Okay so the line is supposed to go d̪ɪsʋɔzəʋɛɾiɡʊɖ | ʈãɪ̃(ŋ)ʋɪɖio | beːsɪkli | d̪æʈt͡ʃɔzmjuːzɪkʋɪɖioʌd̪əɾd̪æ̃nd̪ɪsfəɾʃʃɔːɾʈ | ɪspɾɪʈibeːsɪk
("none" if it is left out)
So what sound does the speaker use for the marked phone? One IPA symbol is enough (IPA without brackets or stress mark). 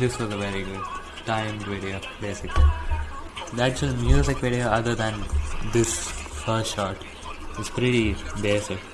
m